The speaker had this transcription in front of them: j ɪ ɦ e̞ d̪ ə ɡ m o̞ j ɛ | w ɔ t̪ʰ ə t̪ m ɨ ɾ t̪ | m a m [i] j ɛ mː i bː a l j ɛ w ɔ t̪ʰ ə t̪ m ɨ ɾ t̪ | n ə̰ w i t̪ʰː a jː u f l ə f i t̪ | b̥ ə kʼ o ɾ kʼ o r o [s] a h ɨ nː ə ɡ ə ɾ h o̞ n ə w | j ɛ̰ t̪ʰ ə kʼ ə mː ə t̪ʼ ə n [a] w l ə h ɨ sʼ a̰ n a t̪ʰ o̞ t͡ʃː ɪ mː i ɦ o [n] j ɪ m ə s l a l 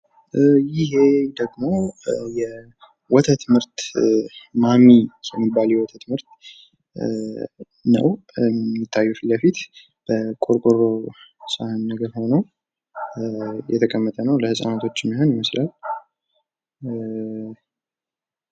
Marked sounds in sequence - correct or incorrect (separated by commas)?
correct, correct, incorrect, correct